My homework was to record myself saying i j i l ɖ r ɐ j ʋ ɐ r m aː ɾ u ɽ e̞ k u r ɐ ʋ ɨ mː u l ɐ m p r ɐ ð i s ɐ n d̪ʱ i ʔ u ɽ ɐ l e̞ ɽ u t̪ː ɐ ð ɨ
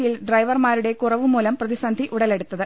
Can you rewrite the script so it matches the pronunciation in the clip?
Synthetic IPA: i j i l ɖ r ɐ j ʋ ɐ r m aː ɾ u ɽ e̞ k u r ɐ ʋ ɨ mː uː l ɐ m p r ɐ ð i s ɐ n d̪ʱ i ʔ u ɽ ɐ l e̞ ɽ u t̪ː ɐ ð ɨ